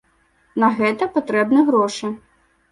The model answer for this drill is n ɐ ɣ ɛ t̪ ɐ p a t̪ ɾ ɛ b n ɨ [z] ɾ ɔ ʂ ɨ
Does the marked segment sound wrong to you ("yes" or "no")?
yes